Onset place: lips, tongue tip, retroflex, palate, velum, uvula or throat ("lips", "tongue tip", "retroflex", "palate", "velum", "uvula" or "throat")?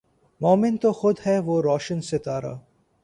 lips